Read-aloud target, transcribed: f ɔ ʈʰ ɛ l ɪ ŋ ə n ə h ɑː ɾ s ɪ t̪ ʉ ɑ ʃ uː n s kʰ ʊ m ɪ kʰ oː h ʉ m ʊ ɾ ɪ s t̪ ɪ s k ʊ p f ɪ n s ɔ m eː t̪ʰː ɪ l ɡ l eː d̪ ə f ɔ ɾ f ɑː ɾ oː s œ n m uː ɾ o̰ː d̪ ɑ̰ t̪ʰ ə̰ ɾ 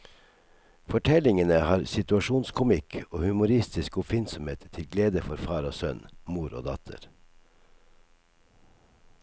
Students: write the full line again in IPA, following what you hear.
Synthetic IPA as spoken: f ɔ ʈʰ ɛ l ɪ ŋ ə n ə h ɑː ɾ s ɪ t̪ ʉ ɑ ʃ uː n s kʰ ʊ m ɪ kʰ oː h ʉ m ʊ ɾ ɪ s t̪ ɪ s k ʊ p f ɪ n s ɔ m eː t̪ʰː ɪ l ɡ l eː d̪ ə f ɔ ɾ f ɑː ɾ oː s œ n m uː ɾ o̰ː d̪ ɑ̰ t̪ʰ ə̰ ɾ